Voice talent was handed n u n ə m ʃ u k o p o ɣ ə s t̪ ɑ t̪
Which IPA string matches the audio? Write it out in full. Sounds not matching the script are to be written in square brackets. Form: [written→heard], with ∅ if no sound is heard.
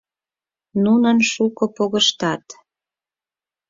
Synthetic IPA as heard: n u n ə [m→n] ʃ u k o p o ɣ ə [s→ʃ] t̪ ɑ t̪